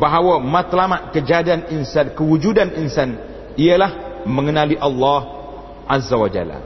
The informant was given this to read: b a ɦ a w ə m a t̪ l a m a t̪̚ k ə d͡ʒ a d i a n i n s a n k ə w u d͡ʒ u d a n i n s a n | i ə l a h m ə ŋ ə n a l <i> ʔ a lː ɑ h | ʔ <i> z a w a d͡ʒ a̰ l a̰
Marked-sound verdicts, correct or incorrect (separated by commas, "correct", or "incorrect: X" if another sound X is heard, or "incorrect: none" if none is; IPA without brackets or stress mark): correct, incorrect: a